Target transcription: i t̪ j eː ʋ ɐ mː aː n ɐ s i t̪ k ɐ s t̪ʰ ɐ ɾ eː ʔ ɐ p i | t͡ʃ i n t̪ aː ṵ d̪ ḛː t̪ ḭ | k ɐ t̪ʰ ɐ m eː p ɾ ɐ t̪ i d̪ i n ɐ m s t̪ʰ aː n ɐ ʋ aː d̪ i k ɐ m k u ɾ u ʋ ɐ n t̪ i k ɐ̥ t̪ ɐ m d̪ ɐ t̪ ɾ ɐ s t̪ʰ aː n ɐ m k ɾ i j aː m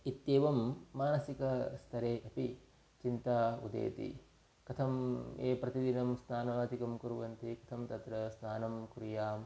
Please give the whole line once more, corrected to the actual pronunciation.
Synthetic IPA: i t̪ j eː ʋ ɐ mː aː n ɐ s i k ɐ s t̪ʰ ɐ ɾ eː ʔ ɐ p i | t͡ʃ i n t̪ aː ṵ d̪ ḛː t̪ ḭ | k ɐ t̪ʰ ɐ m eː p ɾ ɐ t̪ i d̪ i n ɐ m s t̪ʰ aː n ɐ ʋ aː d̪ i k ɐ m k u ɾ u ʋ ɐ n t̪ i k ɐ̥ t̪ʰ ɐ m t̪ ɐ t̪ ɾ ɐ s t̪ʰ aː n ɐ m k ɾ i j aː m

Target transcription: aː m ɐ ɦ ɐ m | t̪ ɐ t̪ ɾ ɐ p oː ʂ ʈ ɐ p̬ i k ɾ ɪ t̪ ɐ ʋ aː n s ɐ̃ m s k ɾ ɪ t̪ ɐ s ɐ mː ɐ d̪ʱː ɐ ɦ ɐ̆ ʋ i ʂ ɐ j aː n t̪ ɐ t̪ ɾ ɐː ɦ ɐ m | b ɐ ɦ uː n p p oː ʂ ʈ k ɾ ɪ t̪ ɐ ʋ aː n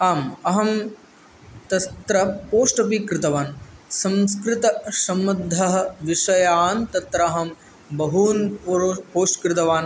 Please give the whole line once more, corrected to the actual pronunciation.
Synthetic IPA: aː m ɐ ɦ ɐ m | t̪ ɐ t̪ ɾ ɐ p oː ʂ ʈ ɐ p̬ i k ɾ ɪ t̪ ɐ ʋ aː n s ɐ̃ m s k ɾ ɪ t̪ ɐ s ɐ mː ɐ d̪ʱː ɐ ɦ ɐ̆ ʋ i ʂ ɐ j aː n t̪ ɐ t̪ ɾ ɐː ɦ ɐ m | b ɐ ɦ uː n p p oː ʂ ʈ k ɾ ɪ t̪ ɐ ʋ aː n

